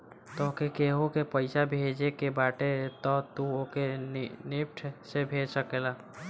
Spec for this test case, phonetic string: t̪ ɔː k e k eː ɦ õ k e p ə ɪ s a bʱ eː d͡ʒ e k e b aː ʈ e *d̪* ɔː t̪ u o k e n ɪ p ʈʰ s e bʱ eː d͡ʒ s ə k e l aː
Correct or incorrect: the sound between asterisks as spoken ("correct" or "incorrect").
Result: incorrect